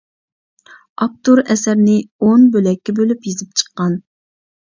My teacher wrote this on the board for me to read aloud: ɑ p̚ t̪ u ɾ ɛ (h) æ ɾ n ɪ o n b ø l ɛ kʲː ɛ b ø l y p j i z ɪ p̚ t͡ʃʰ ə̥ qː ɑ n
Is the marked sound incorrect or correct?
incorrect